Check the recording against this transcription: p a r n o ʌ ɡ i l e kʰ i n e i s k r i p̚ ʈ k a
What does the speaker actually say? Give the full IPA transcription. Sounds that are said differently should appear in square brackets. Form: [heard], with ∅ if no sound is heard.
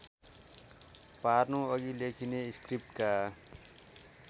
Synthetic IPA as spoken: p a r n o ʌ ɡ i l e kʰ i n e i s k r i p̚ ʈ k a